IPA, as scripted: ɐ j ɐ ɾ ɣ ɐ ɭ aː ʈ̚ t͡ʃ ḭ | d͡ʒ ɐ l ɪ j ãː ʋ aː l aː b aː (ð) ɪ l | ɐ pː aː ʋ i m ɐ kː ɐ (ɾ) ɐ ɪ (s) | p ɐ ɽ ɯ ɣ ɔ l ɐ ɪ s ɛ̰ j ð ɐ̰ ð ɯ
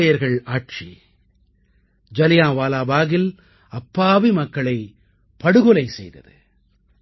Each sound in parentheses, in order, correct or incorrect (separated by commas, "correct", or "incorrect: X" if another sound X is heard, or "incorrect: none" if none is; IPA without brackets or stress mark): incorrect: ɣ, incorrect: ɭ, incorrect: none